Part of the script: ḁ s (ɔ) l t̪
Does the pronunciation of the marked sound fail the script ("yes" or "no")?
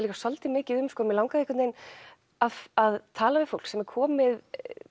no